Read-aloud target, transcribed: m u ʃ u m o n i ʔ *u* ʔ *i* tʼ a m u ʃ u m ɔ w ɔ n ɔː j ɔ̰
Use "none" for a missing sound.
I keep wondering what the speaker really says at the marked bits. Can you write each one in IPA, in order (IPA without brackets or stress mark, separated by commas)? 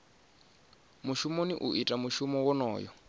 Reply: u, i